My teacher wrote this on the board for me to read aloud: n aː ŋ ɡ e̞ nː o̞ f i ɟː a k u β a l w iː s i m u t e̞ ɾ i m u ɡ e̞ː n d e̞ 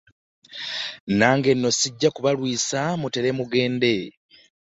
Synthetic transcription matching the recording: n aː ŋ ɡ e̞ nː o̞ s i ɟː a k u β a l w iː s a m u t e̞ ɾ e m u ɡ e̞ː n d e̞